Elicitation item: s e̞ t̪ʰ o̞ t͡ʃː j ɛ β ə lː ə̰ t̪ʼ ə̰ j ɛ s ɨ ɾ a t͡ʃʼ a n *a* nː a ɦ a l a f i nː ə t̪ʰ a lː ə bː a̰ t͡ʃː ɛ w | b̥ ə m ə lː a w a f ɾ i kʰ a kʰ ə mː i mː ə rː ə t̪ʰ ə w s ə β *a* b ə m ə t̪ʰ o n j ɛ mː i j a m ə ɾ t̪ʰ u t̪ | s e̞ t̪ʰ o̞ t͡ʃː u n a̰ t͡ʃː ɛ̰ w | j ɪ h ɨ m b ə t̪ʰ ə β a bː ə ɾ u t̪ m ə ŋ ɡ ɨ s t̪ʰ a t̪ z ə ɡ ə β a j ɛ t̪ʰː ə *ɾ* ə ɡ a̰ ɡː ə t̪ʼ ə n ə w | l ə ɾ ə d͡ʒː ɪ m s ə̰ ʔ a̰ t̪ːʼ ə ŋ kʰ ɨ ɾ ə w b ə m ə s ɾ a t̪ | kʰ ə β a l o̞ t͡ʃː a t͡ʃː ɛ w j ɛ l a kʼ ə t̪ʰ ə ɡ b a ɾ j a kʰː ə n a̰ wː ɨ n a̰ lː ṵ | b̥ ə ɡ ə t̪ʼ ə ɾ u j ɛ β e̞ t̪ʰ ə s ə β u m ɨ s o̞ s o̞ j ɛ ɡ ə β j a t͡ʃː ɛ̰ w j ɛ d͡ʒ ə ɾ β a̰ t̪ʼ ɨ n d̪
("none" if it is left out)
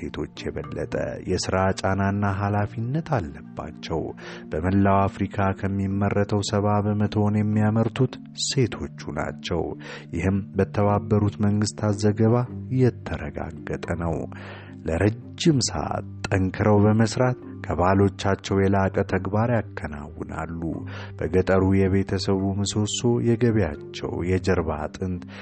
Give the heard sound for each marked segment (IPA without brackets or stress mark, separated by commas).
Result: a, a, ɾ